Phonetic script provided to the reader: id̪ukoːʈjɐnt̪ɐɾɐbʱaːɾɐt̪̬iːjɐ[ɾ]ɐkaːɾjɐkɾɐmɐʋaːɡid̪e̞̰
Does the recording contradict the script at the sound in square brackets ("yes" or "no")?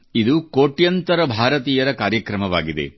no